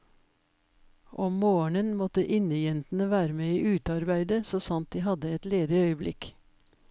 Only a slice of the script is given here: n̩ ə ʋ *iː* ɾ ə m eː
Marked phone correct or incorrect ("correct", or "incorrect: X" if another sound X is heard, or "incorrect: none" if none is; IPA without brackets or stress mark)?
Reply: incorrect: æː